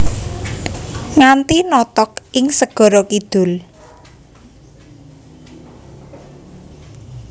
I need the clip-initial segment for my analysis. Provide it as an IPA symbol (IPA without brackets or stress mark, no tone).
ŋ